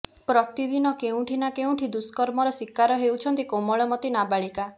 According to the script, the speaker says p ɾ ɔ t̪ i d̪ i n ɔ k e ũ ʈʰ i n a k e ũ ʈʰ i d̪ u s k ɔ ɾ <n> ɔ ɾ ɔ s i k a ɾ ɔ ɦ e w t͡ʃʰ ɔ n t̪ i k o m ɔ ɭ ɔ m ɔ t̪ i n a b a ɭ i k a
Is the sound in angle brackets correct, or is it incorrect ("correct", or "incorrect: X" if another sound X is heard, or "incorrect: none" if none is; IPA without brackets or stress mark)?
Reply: incorrect: m